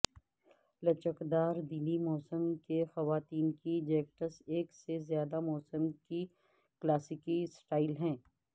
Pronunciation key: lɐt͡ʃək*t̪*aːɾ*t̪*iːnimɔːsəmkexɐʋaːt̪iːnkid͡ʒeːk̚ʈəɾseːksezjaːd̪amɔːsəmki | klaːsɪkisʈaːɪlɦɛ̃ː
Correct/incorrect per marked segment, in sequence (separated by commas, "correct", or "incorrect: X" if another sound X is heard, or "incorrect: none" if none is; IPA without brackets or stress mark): incorrect: d̪, incorrect: d̪